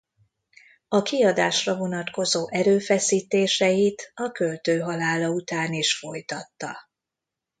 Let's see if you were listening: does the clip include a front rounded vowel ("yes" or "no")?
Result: yes